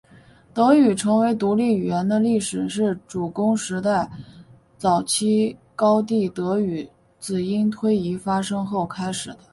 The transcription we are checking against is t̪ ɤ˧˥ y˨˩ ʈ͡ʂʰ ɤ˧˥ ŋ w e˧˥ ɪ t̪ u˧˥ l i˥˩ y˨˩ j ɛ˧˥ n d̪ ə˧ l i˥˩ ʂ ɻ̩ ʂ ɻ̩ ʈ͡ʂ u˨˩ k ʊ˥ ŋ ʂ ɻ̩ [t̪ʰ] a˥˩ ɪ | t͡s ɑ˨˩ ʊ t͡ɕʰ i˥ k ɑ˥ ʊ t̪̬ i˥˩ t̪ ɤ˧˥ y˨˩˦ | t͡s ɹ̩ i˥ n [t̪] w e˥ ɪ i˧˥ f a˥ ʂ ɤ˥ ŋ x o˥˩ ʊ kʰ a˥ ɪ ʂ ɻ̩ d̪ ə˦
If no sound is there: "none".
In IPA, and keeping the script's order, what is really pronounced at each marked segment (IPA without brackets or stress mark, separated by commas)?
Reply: t̪, t̪ʰ